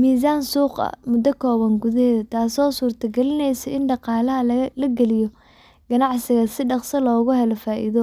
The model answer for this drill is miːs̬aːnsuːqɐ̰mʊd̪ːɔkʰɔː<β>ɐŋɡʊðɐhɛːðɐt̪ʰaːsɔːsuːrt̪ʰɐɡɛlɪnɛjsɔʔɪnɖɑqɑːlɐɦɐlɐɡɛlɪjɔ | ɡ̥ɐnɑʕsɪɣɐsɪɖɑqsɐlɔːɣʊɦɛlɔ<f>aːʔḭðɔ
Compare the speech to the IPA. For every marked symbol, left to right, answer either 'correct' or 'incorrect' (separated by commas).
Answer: correct, correct